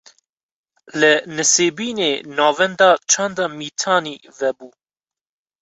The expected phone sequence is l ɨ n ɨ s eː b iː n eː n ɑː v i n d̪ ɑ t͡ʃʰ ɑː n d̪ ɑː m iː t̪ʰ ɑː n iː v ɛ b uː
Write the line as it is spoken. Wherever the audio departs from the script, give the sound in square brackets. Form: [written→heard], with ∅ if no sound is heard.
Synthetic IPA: l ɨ n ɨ s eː b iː n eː n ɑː v [i→ɛ] n d̪ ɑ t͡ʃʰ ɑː n d̪ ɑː m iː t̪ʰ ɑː n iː v ɛ b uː